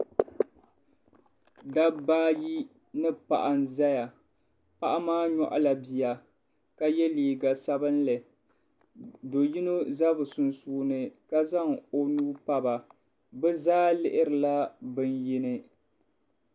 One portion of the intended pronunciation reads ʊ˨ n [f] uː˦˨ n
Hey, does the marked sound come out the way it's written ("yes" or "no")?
no